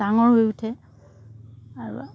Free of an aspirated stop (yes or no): no